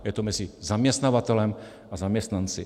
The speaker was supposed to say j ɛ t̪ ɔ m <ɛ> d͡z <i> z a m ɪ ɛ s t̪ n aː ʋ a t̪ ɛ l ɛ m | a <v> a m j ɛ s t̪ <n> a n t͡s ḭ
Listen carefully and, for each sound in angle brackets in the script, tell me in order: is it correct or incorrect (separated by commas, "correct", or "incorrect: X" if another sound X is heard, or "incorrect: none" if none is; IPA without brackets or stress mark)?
correct, correct, incorrect: z, correct